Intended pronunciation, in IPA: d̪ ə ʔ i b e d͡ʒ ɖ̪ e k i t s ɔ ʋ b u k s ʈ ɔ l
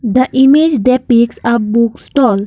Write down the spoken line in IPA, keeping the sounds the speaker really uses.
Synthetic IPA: d̪ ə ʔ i m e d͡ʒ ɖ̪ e p i k s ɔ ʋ b u k s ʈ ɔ l